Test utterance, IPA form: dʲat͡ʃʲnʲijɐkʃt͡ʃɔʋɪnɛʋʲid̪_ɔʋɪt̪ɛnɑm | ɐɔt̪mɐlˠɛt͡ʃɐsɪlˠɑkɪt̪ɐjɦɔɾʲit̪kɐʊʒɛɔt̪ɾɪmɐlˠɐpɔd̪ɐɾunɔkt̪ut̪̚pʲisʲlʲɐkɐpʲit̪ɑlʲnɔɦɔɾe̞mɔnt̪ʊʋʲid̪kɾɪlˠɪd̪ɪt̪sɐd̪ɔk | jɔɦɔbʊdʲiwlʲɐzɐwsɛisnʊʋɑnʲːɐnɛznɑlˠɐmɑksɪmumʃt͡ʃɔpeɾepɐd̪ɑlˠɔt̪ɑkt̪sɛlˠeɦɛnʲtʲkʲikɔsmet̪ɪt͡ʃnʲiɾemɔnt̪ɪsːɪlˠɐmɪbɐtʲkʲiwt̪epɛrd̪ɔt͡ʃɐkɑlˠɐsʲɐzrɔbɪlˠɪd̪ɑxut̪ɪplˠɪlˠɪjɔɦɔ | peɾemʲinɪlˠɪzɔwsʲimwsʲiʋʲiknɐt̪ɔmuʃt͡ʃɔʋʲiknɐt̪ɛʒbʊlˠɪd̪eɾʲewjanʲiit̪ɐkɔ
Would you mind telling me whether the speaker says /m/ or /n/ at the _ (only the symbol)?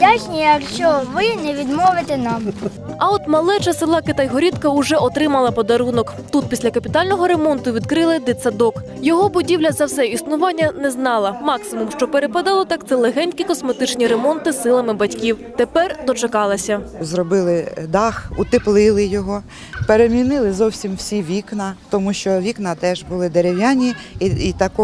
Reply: m